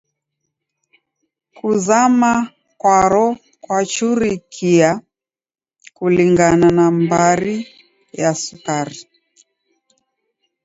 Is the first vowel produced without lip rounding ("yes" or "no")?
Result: no